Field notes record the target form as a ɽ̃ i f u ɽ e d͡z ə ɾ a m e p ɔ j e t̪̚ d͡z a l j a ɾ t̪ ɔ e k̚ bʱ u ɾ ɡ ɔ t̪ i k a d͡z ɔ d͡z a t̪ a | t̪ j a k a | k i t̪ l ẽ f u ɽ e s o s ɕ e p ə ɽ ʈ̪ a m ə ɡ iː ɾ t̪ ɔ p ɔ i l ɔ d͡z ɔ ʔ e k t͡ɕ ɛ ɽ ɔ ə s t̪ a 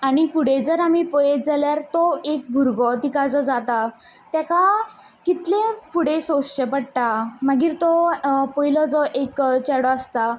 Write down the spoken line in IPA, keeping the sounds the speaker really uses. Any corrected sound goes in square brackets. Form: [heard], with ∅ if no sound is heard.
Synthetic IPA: a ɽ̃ i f u ɽ e d͡z ə ɾ a m [i] p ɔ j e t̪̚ d͡z a l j a ɾ t̪ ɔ e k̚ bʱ u ɾ ɡ ɔ t̪ i k a d͡z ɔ d͡z a t̪ a | t̪ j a k a | k i t̪ l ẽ f u ɽ e s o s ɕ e p ə ɽ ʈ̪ a m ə ɡ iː ɾ t̪ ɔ p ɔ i l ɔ d͡z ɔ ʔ e k t͡ɕ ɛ ɽ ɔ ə s t̪ a